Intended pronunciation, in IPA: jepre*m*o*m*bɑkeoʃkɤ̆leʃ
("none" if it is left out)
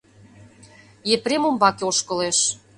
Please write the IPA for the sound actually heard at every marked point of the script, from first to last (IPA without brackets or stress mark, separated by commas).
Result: m, m